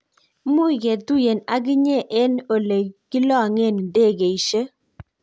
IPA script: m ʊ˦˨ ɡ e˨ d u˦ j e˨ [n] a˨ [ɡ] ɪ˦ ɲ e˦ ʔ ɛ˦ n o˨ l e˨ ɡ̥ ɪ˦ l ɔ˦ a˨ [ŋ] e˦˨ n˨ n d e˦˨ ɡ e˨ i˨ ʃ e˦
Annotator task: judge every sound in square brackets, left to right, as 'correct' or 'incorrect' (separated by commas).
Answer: correct, correct, correct